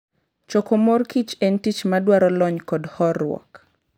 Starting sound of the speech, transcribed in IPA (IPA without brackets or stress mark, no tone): t͡ʃ